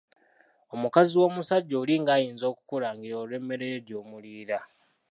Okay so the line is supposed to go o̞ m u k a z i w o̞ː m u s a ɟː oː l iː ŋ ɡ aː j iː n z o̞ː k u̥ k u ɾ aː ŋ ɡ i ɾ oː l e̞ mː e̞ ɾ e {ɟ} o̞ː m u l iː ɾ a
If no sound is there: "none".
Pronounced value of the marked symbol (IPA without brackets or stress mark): ɟ